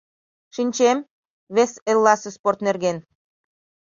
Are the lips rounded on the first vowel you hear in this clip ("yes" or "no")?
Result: no